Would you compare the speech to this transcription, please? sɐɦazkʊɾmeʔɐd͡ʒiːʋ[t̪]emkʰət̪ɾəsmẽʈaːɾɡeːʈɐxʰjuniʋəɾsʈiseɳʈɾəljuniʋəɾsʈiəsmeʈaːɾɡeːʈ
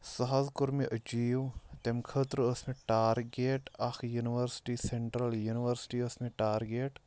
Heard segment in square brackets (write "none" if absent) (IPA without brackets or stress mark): t̪